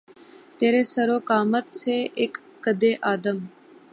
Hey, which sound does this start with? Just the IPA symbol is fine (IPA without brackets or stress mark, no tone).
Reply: t̪